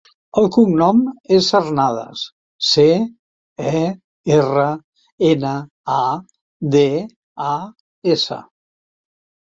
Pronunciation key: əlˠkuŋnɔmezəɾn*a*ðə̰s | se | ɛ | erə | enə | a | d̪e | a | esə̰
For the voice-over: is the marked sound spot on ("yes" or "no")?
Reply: yes